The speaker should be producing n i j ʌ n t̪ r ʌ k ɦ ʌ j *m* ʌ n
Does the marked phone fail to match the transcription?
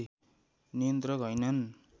yes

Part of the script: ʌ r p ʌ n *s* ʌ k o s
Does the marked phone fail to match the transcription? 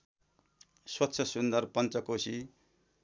yes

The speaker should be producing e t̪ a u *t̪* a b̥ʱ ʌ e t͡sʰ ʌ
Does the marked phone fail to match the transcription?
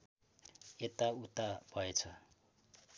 no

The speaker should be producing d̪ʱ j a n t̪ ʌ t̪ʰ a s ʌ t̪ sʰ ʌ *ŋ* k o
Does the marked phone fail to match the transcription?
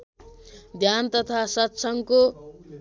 no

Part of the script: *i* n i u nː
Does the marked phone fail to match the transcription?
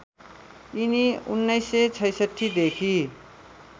no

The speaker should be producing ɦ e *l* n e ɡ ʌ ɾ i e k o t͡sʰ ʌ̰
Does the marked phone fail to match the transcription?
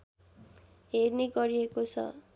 yes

